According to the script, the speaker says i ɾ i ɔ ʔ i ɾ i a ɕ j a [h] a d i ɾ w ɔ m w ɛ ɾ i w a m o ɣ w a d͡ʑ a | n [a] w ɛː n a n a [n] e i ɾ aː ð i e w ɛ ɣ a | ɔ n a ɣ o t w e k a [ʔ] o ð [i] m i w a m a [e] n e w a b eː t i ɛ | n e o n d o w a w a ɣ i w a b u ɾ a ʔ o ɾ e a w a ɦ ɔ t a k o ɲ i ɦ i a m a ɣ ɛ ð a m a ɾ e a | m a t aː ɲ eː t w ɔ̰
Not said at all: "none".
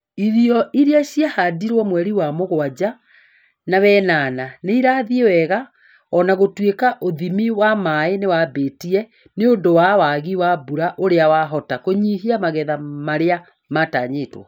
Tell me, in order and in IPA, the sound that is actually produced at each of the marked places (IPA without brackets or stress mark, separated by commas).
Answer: h, a, n, ʔ, i, e